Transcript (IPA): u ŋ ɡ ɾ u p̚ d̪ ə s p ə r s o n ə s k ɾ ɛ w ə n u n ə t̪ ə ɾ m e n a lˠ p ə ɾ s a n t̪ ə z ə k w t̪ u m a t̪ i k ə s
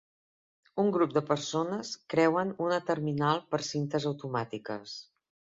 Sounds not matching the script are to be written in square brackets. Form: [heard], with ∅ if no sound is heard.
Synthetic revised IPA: u ŋ ɡ ɾ u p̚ d̪ ə [∅] p ə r s o n ə s k ɾ ɛ w ə n u n ə t̪ ə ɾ m [i] n a lˠ p ə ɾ s [i] n t̪ ə z ə [∅] w t̪ u m a t̪ i k ə s